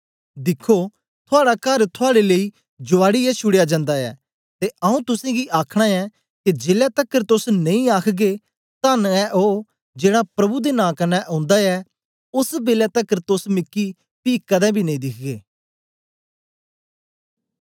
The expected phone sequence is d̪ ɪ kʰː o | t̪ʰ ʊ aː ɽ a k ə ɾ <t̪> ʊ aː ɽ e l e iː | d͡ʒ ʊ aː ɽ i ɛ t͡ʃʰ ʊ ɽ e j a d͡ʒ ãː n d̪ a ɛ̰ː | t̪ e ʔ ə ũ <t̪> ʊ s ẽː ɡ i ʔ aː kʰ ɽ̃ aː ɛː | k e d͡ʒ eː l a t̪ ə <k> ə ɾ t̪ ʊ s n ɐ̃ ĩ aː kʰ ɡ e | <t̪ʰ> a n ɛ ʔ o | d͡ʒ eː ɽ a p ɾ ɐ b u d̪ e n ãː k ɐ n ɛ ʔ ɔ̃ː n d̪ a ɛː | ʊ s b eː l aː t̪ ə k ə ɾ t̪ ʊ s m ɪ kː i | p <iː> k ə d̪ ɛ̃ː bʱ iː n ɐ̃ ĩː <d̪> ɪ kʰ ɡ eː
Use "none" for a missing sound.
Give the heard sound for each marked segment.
t̪ʰ, t̪, k, t̪, iː, d̪

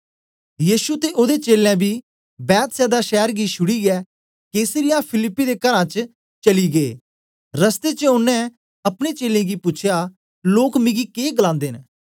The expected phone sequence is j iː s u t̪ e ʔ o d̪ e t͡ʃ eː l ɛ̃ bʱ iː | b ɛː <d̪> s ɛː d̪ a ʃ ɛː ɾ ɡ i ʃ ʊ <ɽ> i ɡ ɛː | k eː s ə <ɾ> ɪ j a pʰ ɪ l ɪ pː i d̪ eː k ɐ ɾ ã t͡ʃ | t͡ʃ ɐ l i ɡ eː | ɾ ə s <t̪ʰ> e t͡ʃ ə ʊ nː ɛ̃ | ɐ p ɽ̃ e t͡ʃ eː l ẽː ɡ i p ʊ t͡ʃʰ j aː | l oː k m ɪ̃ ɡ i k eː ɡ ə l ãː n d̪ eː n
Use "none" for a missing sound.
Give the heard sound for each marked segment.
t̪, ɽ, ɾ, t̪

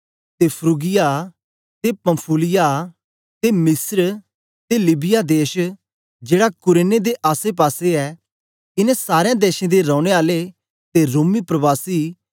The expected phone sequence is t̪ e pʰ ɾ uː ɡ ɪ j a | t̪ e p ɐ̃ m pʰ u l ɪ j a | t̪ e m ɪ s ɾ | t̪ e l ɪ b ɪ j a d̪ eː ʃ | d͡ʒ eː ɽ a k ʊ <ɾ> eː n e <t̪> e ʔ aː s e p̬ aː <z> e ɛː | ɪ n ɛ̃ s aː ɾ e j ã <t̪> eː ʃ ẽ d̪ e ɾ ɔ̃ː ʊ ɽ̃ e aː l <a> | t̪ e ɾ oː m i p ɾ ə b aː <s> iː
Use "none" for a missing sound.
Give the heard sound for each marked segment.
ɾ, d̪, s, d̪, e, s

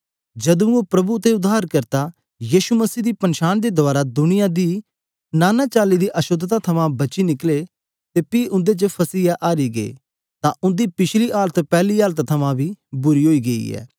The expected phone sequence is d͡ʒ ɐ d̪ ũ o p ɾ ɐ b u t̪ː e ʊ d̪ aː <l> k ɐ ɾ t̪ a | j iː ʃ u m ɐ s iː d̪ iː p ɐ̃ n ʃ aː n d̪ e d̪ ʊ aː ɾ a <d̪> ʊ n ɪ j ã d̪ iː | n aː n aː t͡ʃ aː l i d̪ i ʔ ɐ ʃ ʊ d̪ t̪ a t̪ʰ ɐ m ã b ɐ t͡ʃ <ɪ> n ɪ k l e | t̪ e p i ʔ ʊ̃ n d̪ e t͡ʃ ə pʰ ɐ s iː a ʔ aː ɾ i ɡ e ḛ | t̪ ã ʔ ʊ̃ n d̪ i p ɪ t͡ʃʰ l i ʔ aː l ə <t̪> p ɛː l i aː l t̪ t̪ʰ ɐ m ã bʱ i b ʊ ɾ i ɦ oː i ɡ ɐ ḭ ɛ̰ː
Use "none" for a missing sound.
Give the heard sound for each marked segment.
ɾ, d̪, i, t̪

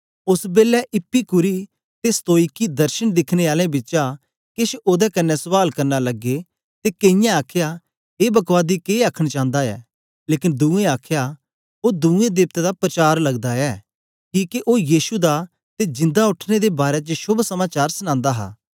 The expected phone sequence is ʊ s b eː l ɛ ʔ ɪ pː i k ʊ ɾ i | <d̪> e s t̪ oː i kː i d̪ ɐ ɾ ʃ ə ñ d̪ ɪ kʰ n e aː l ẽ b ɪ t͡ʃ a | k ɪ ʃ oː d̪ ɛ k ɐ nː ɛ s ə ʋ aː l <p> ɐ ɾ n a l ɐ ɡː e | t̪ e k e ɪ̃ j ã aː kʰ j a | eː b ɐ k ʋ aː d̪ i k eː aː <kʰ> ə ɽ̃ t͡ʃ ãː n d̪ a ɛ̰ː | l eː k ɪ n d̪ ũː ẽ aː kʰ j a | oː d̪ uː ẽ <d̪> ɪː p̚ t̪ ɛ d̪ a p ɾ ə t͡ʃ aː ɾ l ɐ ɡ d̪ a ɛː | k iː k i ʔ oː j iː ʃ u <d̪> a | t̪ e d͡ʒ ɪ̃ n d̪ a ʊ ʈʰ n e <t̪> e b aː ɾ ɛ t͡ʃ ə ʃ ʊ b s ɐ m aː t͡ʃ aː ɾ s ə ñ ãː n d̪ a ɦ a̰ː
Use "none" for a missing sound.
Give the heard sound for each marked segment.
t̪, k, kʰ, d̪, d̪, d̪

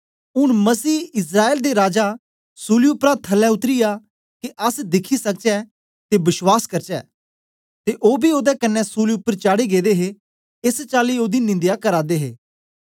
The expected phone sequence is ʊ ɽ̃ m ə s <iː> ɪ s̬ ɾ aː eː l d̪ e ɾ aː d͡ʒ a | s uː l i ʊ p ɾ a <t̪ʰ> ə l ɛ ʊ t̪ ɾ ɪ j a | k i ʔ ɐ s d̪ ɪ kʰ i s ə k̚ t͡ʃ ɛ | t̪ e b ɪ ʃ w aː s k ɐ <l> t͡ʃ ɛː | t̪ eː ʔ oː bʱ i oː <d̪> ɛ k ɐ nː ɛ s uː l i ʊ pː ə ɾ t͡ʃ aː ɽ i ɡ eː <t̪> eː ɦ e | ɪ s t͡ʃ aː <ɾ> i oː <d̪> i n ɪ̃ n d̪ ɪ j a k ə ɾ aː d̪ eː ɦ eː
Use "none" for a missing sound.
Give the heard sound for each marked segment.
iː, t̪ʰ, ɾ, d̪, d̪, l, d̪

